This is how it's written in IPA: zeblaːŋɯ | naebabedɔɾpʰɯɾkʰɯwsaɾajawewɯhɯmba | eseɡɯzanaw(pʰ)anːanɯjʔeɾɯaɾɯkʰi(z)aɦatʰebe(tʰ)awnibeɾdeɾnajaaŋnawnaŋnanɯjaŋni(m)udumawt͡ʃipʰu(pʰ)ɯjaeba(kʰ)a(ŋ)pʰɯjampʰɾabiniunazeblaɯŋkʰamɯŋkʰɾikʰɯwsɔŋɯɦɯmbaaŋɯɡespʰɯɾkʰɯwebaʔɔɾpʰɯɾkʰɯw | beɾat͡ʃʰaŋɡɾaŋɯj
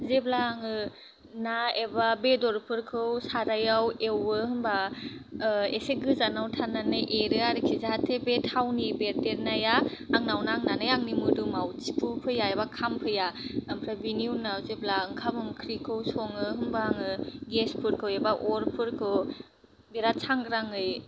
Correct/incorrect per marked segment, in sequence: incorrect, correct, correct, correct, correct, correct, incorrect

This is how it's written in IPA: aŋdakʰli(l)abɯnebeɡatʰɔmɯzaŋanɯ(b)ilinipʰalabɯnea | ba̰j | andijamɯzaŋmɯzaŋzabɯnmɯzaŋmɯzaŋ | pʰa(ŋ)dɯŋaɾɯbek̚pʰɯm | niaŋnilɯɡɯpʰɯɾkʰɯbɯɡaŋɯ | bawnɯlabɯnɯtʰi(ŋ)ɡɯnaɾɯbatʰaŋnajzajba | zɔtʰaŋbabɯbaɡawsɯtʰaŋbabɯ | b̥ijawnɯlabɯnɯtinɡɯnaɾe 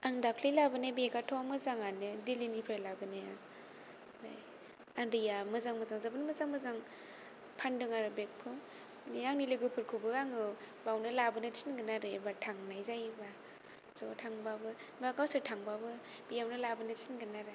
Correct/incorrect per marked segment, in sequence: correct, incorrect, incorrect, incorrect

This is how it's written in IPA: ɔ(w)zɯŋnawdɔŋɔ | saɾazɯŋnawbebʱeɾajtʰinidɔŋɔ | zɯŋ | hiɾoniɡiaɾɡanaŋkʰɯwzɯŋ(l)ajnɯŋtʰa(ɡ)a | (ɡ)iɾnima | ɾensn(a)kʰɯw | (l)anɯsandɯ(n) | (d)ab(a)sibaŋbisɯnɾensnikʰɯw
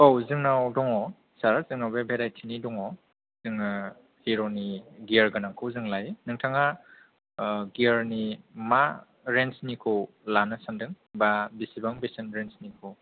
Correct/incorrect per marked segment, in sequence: correct, correct, incorrect, correct, incorrect, correct, incorrect, incorrect, incorrect

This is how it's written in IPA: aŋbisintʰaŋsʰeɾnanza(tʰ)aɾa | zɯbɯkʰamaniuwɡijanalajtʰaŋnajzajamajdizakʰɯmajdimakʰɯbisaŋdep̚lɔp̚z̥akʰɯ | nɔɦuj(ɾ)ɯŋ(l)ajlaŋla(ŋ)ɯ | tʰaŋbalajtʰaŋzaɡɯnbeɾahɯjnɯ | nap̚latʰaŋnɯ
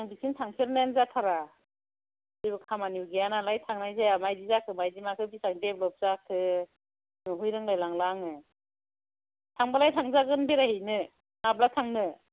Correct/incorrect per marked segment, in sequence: correct, correct, correct, correct

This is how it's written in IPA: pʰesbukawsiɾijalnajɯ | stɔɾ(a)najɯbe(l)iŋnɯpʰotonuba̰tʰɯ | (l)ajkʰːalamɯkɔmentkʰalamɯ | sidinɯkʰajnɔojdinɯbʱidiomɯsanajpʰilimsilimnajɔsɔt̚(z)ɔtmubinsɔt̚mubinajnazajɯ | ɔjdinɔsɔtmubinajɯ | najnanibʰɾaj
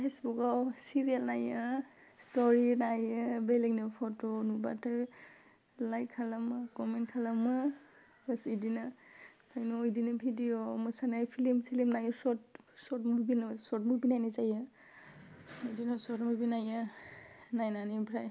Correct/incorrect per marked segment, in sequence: incorrect, correct, correct, incorrect

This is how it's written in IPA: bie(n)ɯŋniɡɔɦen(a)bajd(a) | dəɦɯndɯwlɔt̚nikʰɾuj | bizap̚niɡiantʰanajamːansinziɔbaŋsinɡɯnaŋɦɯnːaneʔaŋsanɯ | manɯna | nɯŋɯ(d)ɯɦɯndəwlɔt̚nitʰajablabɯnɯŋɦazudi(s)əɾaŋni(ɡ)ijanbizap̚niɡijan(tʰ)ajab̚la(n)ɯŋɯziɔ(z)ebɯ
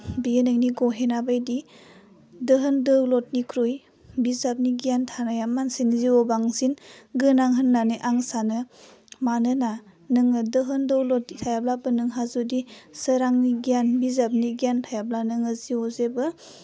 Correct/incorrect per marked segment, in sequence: correct, correct, incorrect, correct, correct, correct, correct, correct, correct

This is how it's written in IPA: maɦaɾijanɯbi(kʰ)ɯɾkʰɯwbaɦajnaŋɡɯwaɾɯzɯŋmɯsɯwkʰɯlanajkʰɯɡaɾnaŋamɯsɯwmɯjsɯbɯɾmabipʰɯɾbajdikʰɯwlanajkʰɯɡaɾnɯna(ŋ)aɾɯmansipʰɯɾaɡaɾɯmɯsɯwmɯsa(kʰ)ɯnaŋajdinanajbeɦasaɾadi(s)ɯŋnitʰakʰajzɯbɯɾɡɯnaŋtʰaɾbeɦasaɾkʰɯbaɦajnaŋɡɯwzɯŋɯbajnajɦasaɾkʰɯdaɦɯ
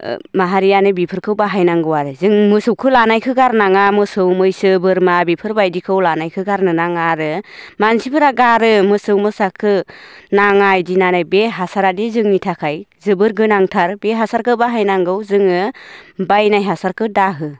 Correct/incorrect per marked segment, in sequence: incorrect, correct, correct, incorrect

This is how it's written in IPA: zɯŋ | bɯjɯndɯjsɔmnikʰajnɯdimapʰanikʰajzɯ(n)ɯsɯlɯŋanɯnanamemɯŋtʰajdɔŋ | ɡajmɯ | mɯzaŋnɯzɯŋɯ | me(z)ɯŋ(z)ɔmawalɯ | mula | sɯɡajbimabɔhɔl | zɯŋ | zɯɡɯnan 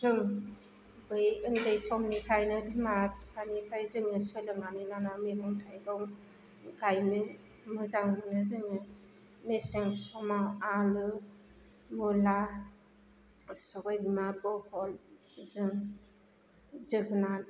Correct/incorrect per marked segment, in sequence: incorrect, incorrect, incorrect

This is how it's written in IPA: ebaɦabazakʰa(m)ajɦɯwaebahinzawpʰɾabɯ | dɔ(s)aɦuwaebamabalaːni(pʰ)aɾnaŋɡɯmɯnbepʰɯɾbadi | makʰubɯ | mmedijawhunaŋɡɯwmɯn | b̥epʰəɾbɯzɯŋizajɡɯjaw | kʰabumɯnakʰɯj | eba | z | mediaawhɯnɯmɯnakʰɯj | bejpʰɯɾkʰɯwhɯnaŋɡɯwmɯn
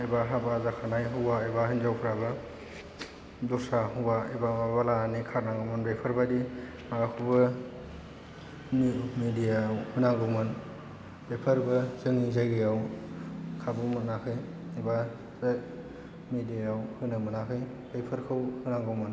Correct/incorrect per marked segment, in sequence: incorrect, correct, incorrect

